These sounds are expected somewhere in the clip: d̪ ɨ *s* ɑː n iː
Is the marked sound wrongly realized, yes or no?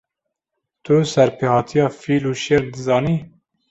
yes